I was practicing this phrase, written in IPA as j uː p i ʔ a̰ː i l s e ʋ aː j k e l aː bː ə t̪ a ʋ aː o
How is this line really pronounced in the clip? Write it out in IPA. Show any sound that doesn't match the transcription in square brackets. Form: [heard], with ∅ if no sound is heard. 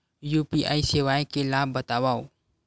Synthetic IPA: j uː p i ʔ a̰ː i [∅] s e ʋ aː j k e l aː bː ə t̪ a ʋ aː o